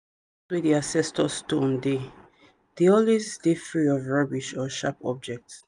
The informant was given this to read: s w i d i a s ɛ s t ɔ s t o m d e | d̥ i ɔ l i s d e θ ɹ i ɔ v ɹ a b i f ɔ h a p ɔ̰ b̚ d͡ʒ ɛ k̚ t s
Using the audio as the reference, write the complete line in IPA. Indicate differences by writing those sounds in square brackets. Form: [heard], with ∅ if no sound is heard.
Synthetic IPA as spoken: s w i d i a s ɛ s t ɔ s t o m d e | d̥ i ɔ l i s d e [f] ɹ i ɔ v ɹ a b i [ʃ] ɔ [ʃ] a p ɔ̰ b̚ d͡ʒ ɛ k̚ t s